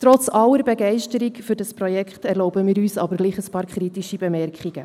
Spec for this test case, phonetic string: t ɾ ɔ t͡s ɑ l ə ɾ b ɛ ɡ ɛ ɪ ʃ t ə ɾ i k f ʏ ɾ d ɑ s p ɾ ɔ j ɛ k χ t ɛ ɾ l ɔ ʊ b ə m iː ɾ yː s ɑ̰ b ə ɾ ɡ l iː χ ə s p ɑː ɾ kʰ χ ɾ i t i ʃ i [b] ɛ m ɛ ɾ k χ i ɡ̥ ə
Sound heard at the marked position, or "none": b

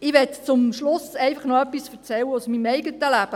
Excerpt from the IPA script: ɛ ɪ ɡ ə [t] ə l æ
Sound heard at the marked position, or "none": t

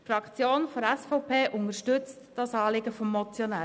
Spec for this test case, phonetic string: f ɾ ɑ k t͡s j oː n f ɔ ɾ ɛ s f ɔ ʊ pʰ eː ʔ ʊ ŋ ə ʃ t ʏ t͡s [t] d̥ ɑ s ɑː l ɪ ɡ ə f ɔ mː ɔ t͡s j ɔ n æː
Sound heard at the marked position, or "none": t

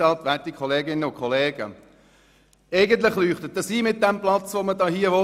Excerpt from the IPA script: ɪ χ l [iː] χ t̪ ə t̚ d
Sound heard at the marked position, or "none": yː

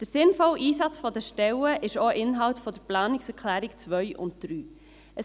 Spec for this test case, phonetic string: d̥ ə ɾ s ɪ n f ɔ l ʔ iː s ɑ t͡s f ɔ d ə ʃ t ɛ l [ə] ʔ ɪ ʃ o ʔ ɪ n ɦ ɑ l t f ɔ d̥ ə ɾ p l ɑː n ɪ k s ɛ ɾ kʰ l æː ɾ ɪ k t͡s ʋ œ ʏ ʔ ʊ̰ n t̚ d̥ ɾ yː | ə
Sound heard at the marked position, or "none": ə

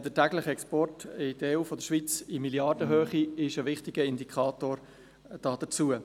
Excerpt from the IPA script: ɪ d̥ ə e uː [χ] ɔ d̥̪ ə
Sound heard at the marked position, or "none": f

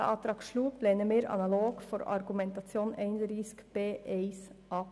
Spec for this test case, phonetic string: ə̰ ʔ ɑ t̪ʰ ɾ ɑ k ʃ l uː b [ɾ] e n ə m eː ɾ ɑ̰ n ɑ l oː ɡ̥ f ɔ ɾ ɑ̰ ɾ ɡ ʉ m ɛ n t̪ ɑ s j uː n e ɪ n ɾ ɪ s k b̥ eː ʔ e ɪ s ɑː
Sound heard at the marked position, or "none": l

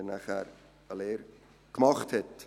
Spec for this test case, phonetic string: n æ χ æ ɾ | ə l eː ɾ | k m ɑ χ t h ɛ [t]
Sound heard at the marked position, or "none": t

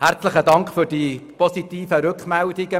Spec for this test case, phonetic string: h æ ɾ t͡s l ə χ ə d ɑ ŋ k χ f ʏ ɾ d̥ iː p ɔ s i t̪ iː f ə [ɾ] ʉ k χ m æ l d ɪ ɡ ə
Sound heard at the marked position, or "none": ɾ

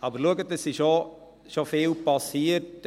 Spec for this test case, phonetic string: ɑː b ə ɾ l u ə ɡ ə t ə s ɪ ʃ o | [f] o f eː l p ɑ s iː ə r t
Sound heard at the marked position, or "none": ʃ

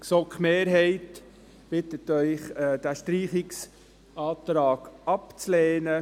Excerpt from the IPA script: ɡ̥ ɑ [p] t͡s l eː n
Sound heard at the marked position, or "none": p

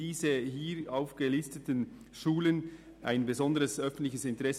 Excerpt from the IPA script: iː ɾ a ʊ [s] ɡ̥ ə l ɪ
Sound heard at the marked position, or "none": f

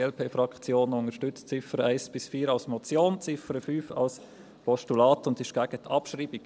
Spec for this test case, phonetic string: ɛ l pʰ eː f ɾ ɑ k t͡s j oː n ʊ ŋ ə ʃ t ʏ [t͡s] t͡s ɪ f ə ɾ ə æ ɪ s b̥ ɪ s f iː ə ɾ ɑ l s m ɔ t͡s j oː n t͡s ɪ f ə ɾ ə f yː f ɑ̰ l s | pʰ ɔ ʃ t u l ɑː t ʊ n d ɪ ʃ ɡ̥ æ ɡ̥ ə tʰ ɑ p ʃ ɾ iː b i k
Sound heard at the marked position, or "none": t͡s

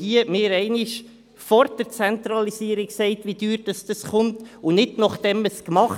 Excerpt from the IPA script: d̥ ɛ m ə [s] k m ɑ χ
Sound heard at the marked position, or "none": s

